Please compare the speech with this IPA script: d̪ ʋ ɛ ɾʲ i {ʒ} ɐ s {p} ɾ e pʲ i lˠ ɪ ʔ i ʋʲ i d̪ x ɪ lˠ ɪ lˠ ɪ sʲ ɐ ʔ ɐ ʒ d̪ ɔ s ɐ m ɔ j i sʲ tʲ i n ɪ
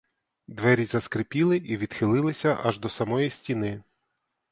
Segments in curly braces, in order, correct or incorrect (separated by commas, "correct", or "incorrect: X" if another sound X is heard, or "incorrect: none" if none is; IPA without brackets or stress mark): incorrect: z, incorrect: k